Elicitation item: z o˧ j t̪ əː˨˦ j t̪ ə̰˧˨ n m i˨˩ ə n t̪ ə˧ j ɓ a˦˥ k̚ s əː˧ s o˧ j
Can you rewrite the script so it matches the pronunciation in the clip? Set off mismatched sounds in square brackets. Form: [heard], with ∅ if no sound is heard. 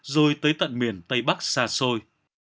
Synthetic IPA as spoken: z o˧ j t̪ əː˨˦ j t̪ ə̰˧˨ n m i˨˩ ə n t̪ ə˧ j ɓ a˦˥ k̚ s [aː˧] s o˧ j